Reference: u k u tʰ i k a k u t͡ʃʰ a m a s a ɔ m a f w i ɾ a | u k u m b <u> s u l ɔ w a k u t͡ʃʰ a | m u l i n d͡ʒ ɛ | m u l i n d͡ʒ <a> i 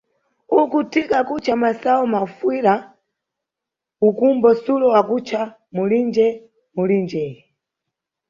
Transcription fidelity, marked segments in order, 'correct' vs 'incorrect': incorrect: ɔ, incorrect: ɛ

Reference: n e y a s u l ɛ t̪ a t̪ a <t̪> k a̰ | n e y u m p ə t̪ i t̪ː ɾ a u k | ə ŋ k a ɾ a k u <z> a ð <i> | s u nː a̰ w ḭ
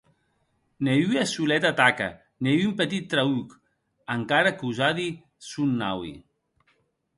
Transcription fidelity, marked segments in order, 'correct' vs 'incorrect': incorrect: none, correct, correct

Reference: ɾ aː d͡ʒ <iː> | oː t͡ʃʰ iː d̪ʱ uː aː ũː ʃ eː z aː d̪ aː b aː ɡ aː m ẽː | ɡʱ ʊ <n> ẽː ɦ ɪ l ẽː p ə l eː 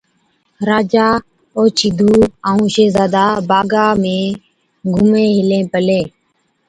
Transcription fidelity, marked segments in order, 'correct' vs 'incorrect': incorrect: aː, incorrect: m

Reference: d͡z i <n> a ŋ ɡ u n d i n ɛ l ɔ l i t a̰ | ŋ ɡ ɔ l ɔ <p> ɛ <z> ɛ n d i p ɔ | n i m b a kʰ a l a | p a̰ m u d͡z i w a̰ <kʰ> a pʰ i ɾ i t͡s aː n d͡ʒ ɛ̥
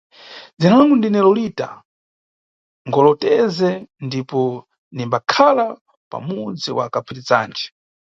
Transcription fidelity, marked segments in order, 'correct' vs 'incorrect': correct, incorrect: t, correct, incorrect: k

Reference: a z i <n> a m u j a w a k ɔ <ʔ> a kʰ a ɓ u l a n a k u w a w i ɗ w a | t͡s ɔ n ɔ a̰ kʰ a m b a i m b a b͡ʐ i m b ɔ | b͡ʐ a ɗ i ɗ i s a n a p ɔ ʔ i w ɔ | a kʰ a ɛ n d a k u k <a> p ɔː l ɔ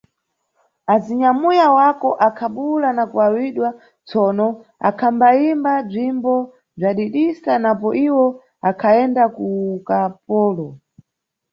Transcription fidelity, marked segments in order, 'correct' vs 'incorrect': incorrect: ɲ, correct, correct

